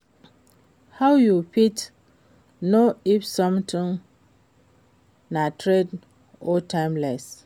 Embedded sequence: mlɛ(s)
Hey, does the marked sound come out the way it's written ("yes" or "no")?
yes